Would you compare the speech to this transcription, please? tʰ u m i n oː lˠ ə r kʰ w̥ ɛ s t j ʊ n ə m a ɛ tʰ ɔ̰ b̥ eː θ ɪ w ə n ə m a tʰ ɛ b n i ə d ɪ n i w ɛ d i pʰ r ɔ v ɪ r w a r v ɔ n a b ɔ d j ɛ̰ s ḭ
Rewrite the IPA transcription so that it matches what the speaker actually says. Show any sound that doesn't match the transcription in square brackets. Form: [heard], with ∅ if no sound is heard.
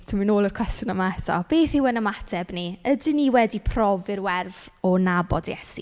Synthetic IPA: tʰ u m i n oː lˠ ə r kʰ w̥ ɛ s t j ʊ n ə m a ɛ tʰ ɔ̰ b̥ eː θ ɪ w ə n ə m a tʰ ɛ b n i ə d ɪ n i w ɛ d i pʰ r ɔ v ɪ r w [ɛ] r v ɔ n a b ɔ d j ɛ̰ s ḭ

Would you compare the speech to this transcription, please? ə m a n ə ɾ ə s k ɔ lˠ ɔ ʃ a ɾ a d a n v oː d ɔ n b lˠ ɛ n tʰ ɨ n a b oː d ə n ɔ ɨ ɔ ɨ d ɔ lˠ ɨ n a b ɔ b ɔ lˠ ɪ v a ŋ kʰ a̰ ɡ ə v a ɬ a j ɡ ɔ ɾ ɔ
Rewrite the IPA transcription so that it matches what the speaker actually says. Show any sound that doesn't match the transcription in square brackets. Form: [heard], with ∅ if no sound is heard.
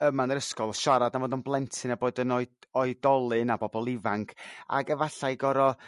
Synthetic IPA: ə m a n ə ɾ ə s k ɔ lˠ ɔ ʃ a ɾ a d a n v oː d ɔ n b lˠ ɛ n tʰ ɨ n a b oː d ə n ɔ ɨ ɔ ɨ d ɔ lˠ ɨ n a b ɔ b ɔ lˠ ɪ v a ŋ kʰ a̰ ɡ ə v a ɬ a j ɡ ɔ ɾ ɔ

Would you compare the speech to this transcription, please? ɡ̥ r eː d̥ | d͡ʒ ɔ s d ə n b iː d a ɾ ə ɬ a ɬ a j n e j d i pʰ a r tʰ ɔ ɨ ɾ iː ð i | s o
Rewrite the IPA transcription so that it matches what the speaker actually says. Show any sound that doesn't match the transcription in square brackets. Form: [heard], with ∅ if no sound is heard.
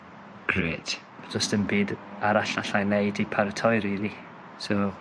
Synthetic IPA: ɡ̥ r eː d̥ | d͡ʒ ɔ s [t] ə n b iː d a ɾ [a] ɬ a ɬ a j n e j d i pʰ a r tʰ ɔ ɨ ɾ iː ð i | s o

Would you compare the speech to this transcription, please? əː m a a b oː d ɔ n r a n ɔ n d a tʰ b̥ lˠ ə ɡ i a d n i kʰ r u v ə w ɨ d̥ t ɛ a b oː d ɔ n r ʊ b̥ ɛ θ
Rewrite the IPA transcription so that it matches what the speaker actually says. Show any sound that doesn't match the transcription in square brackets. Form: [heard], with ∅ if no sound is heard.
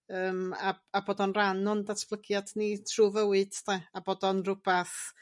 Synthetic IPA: əː m a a b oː d ɔ n r a n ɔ n d a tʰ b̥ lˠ ə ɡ [j] a d n i [tʰ] r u v ə w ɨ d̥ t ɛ a b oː d ɔ n r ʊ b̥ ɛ θ

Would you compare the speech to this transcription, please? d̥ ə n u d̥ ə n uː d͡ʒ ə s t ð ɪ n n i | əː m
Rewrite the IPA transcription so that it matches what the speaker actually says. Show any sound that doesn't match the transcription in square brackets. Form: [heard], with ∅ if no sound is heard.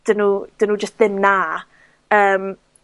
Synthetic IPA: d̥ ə n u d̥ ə n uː d͡ʒ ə s t ð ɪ [m] n [a] | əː m

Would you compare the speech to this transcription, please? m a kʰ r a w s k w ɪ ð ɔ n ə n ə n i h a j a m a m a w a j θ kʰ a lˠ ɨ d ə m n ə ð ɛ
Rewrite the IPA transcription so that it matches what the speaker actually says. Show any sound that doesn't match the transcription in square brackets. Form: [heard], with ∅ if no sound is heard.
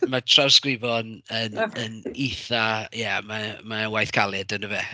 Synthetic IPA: m a [tʰ] r a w s k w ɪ [v] ɔ n ə n ə n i [θ] a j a m a m a w a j θ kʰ a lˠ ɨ d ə [∅] n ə [v] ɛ

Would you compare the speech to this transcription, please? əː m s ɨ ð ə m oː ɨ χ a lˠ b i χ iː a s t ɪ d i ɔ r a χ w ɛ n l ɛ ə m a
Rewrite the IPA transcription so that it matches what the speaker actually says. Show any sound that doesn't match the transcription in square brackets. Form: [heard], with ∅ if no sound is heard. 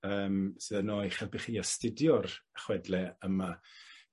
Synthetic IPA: əː m s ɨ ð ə [n] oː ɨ χ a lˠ b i χ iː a s t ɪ d [j] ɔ r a χ w ɛ [d] l ɛ ə m a

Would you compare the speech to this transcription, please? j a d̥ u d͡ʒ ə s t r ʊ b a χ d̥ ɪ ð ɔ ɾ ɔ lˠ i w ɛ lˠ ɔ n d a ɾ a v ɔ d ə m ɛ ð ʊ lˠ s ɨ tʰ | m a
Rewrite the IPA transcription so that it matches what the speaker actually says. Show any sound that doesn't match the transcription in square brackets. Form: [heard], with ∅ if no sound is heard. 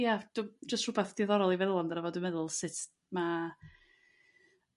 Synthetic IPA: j a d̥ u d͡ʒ ə s t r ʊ b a [θ] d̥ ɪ ð ɔ ɾ ɔ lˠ i [v] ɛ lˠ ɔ n d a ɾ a v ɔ d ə m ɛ ð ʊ lˠ s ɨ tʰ | m a

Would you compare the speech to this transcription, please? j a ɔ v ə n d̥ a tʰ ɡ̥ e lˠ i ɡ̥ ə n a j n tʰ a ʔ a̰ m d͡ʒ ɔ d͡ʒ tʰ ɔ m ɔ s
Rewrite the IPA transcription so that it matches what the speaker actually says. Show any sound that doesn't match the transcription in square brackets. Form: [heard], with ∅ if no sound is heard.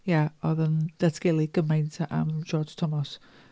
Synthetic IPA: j a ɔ [ð] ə n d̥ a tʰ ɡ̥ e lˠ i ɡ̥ ə [m] a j n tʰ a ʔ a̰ m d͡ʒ ɔ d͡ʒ tʰ ɔ m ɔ s

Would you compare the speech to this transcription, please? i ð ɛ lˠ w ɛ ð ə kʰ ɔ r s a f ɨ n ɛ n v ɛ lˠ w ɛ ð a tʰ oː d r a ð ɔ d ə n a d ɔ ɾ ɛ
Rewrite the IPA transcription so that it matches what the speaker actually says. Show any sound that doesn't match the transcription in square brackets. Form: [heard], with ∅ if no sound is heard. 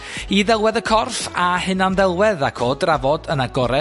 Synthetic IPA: i ð ɛ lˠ w ɛ ð ə kʰ ɔ r [f] a [h] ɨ n [a] n [ð] ɛ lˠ w ɛ ð a [kʰ] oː d r a [v] ɔ d ə n a [ɡ] ɔ ɾ ɛ

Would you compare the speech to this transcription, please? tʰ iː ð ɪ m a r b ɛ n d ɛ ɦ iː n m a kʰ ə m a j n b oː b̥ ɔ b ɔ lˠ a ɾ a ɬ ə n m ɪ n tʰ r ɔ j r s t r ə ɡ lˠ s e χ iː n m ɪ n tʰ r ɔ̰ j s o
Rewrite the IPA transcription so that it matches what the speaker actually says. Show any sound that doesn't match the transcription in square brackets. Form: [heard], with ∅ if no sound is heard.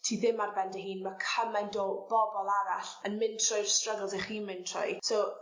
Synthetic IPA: tʰ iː ð ɪ m a r b ɛ n d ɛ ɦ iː n m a kʰ ə m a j n [d] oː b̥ ɔ b ɔ lˠ a ɾ a ɬ ə n m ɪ n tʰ r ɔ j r s t r ə ɡ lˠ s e χ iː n m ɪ n tʰ r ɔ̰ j s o

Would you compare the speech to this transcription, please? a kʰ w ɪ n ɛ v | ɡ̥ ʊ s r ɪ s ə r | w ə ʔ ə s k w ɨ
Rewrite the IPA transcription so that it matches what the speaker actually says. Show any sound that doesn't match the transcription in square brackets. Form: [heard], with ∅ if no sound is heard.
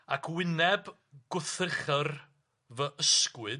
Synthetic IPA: a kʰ w ɪ n ɛ [b] | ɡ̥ ʊ [θ] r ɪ [χ] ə r | [v] ə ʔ ə s k w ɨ

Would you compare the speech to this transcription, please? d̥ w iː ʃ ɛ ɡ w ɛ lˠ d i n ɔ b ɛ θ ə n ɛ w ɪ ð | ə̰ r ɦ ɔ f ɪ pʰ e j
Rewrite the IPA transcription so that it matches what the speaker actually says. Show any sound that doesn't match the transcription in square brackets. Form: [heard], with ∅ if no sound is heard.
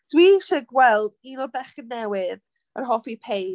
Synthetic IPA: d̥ w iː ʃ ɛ ɡ w ɛ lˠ d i n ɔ b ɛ [χ] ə n ɛ w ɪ ð | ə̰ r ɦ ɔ f [i] pʰ e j

